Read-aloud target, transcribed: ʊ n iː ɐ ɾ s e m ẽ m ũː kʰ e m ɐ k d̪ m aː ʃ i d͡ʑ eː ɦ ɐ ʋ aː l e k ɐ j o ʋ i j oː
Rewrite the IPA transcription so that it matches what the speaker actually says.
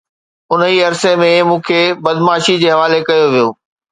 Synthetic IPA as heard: ʊ n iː ɐ ɾ s e m ẽ m ũː kʰ e b ɐ d̪ m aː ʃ i d͡ʑ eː ɦ ɐ ʋ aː l e k ɐ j o ʋ i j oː